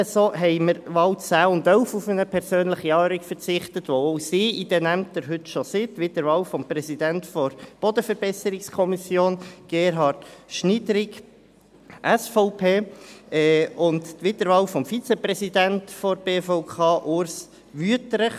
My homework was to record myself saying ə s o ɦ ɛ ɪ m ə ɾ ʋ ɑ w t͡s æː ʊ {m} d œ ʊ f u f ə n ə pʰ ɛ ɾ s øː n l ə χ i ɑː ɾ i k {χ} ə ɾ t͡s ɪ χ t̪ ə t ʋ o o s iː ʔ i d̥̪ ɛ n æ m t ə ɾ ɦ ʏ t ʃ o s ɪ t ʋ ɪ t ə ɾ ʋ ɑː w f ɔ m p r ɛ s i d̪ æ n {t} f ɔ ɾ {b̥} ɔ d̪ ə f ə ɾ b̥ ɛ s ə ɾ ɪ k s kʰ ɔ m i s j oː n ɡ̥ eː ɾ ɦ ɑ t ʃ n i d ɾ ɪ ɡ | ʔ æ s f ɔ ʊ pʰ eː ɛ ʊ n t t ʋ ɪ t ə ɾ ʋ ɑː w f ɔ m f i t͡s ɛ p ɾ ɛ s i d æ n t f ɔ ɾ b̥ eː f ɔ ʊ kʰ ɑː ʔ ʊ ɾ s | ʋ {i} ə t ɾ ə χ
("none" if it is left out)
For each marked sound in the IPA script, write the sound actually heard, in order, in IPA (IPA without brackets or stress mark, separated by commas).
n, f, t, b̥, y